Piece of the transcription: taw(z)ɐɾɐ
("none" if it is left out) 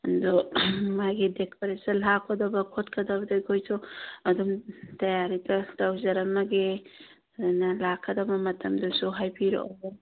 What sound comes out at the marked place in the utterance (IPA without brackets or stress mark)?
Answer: z